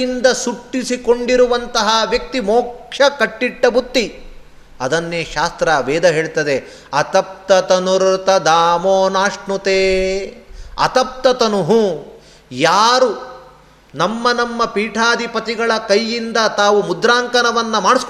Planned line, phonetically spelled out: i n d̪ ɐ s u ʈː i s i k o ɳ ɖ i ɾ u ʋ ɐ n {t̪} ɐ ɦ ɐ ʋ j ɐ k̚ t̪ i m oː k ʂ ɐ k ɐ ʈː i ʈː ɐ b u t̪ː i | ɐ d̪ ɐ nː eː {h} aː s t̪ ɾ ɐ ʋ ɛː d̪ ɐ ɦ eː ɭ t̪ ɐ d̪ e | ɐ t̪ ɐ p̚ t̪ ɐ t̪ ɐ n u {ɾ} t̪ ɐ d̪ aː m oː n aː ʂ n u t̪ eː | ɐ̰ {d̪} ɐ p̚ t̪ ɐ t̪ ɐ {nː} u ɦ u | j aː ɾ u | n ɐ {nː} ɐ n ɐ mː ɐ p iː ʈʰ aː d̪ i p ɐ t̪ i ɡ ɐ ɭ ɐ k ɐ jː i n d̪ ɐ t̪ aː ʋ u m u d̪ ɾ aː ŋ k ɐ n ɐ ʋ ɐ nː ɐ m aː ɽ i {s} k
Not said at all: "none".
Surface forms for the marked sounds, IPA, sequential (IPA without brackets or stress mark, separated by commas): t̪, ʃ, ɾ, t̪, n, mː, s